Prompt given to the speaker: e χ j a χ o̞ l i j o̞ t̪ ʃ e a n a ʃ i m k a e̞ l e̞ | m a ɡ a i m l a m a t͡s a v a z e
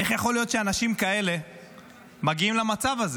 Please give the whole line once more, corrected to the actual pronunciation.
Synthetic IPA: e χ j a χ o̞ l i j o̞ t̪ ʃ e a n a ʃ i m k a e̞ l e̞ | m a ɡ i i m l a m a t͡s a v a z e